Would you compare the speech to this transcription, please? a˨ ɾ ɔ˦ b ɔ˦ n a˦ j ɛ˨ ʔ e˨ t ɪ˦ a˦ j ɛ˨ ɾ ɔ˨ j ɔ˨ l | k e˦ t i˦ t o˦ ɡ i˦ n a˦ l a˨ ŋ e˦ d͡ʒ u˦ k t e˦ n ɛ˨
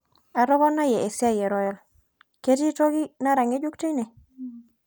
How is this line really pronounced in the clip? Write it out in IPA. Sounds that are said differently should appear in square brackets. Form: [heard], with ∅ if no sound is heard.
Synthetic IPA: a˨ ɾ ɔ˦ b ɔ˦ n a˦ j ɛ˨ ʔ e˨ [s] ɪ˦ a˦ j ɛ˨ ɾ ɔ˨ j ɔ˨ l | k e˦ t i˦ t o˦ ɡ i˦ n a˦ [ɾ] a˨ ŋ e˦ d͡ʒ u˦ k t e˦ n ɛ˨